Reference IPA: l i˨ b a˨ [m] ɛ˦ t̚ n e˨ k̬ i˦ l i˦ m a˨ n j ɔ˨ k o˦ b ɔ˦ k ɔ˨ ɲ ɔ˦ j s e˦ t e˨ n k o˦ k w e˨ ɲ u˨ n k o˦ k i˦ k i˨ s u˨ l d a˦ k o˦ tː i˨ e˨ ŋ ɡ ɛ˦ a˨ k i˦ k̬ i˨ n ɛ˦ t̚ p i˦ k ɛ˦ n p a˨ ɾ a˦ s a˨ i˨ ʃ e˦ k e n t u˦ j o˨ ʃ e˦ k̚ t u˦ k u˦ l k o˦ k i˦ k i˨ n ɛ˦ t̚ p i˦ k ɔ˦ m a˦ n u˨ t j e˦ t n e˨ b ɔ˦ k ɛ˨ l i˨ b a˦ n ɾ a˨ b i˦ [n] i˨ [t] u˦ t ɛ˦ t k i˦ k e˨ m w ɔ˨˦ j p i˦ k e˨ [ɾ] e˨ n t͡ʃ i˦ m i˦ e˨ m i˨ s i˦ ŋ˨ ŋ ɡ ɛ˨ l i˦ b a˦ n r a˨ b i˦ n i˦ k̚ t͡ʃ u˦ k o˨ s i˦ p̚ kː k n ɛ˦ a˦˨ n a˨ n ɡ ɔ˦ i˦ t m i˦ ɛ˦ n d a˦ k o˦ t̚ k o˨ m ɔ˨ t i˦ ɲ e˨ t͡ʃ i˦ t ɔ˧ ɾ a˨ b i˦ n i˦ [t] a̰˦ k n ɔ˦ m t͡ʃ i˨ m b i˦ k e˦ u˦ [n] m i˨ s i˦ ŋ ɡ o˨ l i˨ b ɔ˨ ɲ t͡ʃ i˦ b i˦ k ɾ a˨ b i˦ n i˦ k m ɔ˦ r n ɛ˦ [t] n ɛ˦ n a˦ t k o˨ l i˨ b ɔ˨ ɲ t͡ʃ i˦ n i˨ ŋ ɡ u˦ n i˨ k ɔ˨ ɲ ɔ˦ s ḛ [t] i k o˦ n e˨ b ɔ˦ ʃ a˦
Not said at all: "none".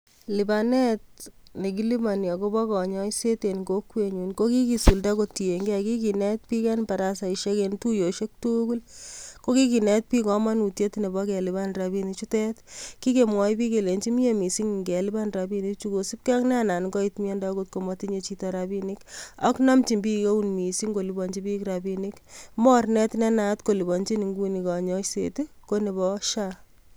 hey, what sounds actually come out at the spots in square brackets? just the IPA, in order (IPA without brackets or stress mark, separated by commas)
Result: n, n, t͡ʃ, l, k, n, t, t